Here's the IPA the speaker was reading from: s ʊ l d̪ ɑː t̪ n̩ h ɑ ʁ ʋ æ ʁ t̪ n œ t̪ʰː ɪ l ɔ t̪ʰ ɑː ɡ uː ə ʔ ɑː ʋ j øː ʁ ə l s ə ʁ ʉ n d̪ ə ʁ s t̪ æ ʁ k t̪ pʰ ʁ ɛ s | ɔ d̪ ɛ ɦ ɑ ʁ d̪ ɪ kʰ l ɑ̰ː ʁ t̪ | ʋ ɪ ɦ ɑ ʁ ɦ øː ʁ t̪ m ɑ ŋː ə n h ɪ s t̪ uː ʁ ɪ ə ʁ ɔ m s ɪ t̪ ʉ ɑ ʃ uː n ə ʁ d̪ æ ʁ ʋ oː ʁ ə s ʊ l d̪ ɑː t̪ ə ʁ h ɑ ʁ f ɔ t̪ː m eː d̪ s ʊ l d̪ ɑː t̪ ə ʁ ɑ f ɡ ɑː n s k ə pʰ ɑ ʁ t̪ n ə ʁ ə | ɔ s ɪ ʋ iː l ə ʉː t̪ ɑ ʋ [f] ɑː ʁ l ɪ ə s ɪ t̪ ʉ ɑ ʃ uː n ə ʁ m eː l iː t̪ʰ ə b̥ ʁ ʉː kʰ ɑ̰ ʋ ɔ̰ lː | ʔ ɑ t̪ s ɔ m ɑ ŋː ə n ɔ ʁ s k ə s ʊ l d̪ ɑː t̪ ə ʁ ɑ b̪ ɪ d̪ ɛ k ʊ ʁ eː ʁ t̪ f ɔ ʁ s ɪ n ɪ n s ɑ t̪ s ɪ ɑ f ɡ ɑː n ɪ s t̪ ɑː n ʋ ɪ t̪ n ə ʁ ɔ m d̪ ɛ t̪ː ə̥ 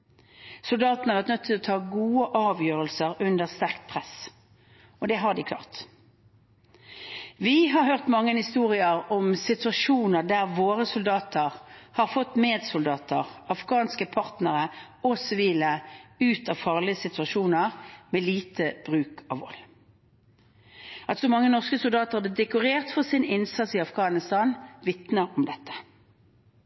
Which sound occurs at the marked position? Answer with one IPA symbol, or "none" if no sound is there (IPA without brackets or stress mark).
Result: f